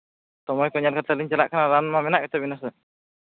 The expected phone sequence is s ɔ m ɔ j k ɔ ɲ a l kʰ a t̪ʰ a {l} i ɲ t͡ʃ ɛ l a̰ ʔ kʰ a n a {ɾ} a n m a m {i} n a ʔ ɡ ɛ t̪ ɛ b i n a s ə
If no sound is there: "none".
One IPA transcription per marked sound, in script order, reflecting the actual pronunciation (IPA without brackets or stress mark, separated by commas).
l, ɾ, ɛ